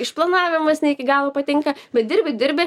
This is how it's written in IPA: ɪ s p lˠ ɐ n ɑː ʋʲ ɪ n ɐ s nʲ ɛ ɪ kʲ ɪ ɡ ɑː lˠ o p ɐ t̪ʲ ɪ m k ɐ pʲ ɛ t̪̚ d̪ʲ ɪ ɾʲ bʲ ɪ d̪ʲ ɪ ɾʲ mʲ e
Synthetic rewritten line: ɪ ʃ p lˠ ɐ n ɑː ʋʲ ɪ m ɐ s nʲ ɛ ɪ kʲ ɪ ɡ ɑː lˠ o p ɐ t̪ʲ ɪ ŋ k ɐ bʲ ɛ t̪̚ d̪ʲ ɪ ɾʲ bʲ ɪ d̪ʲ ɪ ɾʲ bʲ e